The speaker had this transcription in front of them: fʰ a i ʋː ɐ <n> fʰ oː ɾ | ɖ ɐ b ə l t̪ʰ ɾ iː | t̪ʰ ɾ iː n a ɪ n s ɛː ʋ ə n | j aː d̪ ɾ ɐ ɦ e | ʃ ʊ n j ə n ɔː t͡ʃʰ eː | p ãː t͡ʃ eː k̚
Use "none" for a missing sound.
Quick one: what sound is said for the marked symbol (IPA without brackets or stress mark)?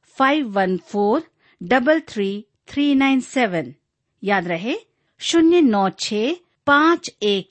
n